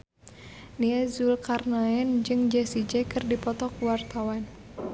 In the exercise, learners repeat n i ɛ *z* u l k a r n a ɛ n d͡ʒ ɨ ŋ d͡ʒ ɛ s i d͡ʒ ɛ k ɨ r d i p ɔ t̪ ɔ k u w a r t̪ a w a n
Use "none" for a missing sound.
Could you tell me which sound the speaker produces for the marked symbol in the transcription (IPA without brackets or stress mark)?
z